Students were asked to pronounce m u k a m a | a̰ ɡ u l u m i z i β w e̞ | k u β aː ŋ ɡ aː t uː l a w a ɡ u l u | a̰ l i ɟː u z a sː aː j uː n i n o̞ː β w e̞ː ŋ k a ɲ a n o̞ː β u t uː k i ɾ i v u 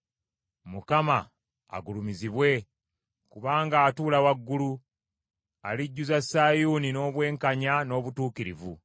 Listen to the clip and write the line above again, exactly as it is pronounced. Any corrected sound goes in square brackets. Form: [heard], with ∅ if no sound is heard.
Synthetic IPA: m u k a m a | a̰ ɡ u l u m i z i β w e̞ | k u β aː ŋ ɡ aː t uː l a w a [ɡː] u l u | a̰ l i ɟː u z a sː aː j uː n i n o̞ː β w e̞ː ŋ k a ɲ a n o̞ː β u t uː k i ɾ i v u